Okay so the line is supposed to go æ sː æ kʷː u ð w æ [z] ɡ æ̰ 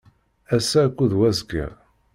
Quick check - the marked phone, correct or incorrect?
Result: correct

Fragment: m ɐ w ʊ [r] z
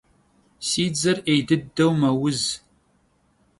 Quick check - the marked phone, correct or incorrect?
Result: incorrect: none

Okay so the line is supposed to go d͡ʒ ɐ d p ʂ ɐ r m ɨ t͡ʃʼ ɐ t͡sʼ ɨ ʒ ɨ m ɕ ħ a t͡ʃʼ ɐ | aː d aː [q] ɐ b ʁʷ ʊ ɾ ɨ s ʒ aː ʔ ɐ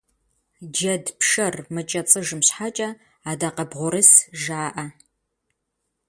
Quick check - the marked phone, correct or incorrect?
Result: correct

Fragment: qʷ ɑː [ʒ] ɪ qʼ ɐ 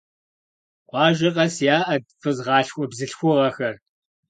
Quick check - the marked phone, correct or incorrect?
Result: correct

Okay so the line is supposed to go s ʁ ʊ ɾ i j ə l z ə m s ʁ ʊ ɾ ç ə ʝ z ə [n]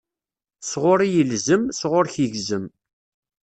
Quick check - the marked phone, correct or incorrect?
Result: incorrect: m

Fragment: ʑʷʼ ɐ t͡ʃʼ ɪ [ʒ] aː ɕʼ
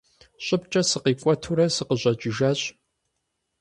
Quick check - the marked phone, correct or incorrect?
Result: correct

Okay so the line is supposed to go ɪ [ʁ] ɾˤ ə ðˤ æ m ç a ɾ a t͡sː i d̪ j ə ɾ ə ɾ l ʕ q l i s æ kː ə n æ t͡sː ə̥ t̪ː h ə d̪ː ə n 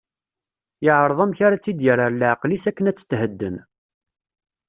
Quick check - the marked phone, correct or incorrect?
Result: incorrect: ʕ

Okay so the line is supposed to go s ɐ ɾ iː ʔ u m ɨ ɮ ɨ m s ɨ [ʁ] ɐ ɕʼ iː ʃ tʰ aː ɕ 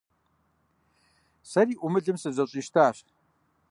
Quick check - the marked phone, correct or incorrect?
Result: incorrect: z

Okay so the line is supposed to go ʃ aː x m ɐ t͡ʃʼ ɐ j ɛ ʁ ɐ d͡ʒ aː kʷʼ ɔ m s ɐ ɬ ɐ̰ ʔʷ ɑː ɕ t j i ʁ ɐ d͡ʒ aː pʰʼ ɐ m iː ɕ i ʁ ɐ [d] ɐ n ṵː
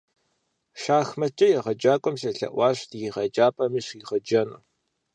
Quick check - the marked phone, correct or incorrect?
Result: incorrect: d͡ʒ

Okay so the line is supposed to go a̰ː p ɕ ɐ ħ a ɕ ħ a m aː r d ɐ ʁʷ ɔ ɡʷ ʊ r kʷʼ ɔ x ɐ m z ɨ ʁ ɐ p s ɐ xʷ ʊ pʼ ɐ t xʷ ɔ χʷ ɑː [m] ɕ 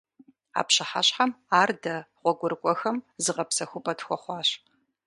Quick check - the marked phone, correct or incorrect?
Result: incorrect: none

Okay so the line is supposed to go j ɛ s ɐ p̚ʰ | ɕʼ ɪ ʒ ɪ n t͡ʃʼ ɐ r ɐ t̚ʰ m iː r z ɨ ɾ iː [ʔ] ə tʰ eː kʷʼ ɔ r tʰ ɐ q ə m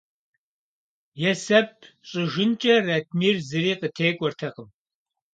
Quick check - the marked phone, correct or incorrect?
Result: incorrect: q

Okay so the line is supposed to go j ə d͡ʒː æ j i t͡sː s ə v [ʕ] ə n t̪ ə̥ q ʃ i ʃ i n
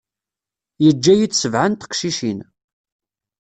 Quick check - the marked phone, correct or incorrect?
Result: correct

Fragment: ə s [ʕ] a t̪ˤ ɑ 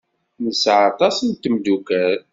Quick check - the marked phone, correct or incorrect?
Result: correct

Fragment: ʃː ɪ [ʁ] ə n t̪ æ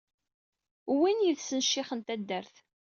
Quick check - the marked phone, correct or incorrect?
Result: incorrect: χ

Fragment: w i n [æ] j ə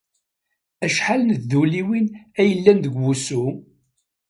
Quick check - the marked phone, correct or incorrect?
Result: correct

